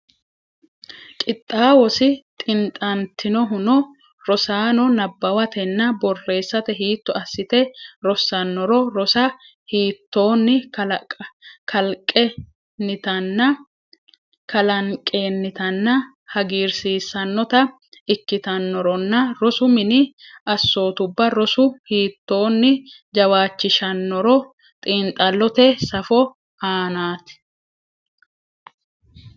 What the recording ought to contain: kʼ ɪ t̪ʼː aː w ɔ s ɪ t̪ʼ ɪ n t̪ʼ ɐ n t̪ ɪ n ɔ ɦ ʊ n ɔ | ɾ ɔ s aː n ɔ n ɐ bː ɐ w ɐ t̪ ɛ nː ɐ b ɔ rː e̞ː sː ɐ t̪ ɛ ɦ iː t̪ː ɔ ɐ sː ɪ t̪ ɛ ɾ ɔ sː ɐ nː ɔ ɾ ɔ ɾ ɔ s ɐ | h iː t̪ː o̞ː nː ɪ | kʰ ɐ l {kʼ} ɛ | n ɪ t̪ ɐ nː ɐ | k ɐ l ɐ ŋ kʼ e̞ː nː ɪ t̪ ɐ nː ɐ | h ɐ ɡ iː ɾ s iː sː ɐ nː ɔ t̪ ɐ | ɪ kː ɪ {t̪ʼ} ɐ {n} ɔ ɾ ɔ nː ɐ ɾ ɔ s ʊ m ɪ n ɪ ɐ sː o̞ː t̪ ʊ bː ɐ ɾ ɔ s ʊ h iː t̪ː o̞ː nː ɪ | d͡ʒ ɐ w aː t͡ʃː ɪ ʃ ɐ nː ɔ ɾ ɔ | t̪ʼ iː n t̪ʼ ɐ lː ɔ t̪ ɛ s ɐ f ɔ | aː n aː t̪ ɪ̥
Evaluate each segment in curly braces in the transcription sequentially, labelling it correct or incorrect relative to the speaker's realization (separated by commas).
correct, incorrect, incorrect